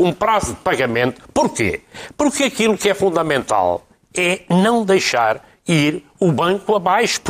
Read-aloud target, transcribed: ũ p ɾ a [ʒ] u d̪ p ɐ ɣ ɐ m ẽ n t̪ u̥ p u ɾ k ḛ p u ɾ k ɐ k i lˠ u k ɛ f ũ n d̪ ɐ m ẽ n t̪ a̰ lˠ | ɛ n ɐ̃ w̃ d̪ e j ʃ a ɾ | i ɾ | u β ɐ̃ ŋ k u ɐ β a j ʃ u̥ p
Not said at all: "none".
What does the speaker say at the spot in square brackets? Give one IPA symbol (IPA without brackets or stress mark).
z